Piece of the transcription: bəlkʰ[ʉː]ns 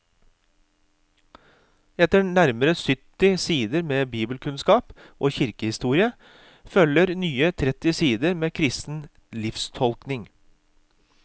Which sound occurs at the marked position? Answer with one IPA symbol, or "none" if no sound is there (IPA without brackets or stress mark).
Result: ʉ